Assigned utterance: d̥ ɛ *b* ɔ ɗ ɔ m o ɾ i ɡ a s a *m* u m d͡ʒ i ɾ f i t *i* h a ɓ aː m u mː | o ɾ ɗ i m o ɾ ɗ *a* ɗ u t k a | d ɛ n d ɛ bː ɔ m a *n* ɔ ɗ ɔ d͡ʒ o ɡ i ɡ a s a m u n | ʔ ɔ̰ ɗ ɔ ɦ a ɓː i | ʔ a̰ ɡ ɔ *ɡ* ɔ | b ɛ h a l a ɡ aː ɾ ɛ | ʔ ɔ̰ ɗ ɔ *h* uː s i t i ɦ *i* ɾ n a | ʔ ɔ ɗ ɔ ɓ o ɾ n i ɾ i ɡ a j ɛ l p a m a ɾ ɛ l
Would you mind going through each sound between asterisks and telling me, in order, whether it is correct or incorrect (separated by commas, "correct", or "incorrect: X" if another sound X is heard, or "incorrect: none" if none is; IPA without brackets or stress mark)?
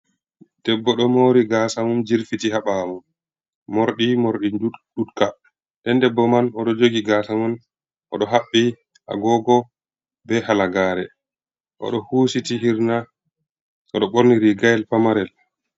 incorrect: bː, correct, correct, incorrect: i, correct, correct, correct, correct